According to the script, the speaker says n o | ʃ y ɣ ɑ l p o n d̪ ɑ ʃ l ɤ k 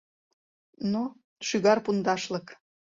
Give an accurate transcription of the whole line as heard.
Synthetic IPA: n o | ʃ y ɣ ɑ r p u n d̪ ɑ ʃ l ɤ k